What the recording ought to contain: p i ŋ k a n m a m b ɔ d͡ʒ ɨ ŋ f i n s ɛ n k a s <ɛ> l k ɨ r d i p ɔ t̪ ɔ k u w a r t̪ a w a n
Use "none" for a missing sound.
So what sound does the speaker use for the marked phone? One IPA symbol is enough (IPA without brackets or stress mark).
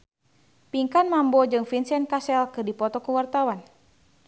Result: ɛ